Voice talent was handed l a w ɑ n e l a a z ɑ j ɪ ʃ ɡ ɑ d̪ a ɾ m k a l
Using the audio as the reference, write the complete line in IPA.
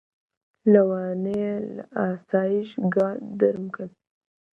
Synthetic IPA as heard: l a w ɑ n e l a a s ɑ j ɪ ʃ ɡ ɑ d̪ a ɾ m k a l